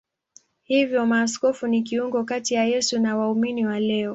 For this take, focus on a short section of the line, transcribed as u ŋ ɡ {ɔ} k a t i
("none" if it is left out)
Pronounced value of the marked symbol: ɔ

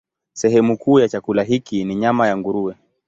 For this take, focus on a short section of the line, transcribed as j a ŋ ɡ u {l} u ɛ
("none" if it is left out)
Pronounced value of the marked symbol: ɾ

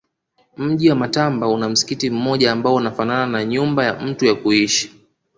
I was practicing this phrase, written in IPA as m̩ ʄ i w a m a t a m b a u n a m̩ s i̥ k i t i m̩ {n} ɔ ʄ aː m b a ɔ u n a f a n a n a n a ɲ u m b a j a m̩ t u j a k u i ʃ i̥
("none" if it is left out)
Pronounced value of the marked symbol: m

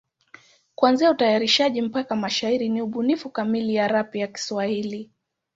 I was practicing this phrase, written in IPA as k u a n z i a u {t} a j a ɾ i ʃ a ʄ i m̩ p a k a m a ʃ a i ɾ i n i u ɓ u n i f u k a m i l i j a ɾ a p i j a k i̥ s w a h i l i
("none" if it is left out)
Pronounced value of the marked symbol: t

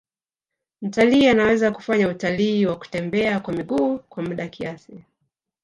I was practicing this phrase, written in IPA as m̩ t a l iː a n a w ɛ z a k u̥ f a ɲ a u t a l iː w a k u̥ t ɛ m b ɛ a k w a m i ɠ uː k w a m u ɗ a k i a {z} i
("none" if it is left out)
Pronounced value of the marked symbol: s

